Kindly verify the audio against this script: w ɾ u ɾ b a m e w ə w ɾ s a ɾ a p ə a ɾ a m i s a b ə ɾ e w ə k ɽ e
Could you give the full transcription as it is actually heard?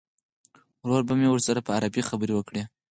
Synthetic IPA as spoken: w ɾ o ɾ b a m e w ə ɾ s a ɾ a p ə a ɾ a b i x a b ə ɾ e w ə k ɽ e